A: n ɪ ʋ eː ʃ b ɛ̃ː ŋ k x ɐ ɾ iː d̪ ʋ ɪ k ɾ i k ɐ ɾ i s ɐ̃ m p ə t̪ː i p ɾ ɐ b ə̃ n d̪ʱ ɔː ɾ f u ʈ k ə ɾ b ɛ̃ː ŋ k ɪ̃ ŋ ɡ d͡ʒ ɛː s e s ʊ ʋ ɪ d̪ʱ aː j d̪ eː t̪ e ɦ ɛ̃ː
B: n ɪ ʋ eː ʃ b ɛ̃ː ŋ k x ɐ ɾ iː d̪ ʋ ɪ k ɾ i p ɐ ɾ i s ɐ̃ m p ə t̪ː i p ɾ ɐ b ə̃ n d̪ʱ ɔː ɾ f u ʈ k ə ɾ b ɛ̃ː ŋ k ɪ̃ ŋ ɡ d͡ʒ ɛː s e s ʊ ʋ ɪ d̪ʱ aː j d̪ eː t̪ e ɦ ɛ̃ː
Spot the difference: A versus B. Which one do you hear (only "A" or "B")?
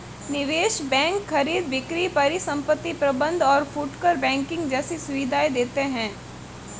B